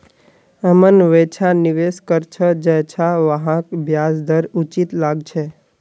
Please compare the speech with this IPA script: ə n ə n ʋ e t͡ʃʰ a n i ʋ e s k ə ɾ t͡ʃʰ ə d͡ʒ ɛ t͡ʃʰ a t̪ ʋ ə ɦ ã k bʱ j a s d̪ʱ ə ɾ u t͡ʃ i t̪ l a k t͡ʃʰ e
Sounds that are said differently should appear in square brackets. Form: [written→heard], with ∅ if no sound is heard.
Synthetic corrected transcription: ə [n→m] ə n ʋ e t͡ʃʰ a n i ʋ e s k ə ɾ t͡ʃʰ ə d͡ʒ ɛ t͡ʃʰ a [t̪→∅] ʋ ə ɦ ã k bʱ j a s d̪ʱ ə ɾ u t͡ʃ i t̪ l a [k→ɡ] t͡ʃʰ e